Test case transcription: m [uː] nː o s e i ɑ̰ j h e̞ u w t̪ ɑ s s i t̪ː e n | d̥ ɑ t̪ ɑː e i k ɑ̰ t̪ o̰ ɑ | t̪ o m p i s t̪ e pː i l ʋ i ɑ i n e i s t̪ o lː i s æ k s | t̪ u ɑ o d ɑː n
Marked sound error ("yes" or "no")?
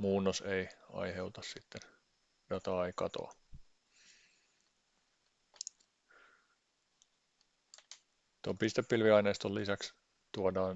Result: no